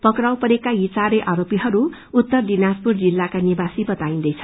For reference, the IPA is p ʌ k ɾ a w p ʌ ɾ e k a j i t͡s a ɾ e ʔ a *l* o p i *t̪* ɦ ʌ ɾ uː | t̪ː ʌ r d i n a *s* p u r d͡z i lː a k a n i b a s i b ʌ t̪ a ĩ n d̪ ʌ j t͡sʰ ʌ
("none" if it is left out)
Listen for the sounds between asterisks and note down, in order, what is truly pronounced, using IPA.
ɾ, none, s

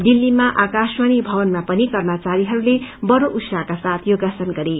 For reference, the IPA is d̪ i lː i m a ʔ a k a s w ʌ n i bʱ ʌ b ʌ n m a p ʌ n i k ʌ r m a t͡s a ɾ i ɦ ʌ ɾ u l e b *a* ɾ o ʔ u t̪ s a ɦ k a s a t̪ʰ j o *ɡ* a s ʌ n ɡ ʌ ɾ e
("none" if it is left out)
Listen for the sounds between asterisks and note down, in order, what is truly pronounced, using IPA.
ʌ, ɡ

